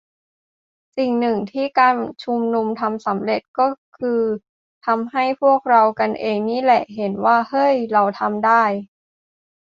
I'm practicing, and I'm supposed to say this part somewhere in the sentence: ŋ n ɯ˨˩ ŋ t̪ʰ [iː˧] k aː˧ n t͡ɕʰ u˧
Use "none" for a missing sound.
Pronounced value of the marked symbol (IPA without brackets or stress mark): iː˥˩